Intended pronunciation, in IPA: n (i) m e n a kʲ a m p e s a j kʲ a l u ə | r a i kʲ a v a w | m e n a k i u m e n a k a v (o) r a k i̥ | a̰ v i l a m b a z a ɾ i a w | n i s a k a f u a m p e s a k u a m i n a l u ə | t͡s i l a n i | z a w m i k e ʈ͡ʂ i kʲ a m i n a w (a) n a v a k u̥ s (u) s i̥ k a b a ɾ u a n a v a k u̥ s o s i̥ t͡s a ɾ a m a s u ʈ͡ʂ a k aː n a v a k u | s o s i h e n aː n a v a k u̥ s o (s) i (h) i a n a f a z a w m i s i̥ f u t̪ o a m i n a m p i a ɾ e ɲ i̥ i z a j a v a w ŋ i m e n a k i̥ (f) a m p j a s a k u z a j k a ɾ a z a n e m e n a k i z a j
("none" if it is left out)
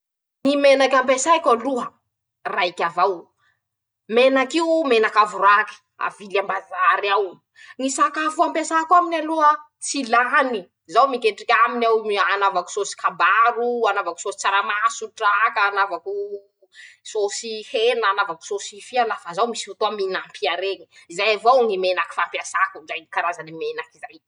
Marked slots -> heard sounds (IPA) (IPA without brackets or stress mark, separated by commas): i, u, a, o, s, f, f